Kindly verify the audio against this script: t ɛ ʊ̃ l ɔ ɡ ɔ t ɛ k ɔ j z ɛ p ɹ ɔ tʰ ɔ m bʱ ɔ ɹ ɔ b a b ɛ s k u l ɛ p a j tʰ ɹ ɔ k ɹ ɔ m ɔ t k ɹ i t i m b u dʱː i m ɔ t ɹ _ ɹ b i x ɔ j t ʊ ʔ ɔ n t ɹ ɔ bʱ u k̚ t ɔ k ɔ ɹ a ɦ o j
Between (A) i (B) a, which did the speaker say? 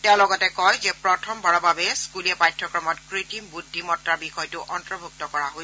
B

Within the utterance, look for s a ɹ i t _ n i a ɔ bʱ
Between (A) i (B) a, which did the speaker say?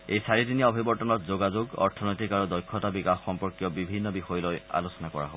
A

